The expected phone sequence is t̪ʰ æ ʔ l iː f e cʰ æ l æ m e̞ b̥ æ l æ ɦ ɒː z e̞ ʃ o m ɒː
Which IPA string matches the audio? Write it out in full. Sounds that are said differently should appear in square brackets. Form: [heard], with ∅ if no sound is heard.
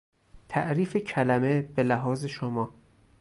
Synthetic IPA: t̪ʰ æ ʔ [ɾ] iː f e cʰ æ l æ m e̞ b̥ [e] l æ ɦ ɒː z e̞ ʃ o m ɒː